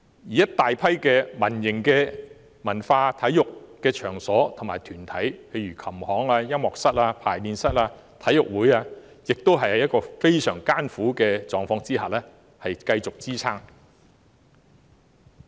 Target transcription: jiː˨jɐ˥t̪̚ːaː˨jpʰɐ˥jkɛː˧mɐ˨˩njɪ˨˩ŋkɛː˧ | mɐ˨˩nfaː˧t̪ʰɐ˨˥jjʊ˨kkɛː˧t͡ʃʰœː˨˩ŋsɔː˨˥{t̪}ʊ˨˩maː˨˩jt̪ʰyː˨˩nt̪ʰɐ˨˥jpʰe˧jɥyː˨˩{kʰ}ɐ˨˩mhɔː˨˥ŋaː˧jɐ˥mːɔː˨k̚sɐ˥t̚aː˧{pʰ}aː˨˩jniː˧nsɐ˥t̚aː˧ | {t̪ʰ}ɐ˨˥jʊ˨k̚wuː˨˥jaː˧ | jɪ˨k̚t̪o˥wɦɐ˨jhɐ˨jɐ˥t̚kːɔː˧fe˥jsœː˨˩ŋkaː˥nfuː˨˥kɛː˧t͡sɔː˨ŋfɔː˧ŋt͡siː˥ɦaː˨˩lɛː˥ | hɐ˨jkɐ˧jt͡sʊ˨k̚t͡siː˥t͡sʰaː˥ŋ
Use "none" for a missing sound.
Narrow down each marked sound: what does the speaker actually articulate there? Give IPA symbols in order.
t̪ʰ, kʰ, pʰ, t̪ʰ

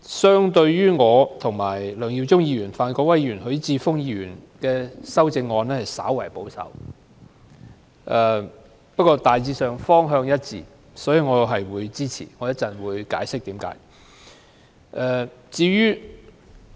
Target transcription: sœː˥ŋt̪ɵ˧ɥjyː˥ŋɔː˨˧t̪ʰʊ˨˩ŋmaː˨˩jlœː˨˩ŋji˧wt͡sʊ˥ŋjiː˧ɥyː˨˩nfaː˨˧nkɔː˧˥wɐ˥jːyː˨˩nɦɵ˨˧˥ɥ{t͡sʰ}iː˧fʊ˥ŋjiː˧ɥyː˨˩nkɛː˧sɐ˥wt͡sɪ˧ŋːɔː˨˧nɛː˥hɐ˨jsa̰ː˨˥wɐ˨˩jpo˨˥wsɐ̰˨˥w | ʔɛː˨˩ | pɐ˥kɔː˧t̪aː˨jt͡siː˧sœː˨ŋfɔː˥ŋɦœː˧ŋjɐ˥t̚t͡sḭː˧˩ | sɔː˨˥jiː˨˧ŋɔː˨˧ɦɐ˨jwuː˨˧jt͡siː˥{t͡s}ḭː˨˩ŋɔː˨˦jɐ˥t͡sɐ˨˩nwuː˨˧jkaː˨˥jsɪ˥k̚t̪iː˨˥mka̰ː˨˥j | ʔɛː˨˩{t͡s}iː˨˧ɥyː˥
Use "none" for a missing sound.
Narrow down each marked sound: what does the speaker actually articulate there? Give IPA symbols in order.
t͡s, t͡sʰ, t͡s

